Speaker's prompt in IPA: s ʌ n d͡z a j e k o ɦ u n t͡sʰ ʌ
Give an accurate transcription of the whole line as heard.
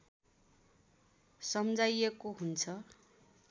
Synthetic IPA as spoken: s ʌ m d͡z a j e k o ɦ u n t͡sʰ ʌ